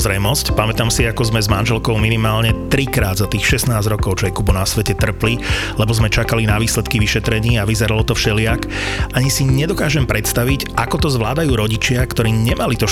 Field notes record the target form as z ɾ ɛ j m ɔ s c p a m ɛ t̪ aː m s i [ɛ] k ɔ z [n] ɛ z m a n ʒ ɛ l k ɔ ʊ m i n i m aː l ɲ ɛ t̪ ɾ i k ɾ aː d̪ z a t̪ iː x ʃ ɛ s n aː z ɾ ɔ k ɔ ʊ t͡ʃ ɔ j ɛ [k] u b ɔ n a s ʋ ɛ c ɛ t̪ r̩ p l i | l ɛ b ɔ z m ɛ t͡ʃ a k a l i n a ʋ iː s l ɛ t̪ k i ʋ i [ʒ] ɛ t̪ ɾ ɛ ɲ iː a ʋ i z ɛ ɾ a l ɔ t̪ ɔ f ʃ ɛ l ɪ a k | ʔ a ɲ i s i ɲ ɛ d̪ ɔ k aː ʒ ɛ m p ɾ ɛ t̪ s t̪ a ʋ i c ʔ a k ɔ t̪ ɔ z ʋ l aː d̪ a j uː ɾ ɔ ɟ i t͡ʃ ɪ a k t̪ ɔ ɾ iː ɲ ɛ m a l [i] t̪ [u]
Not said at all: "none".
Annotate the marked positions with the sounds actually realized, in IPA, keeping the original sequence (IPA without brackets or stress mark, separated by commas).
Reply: a, m, k, ʃ, i, ɔ